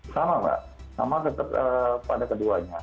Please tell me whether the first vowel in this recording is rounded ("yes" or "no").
no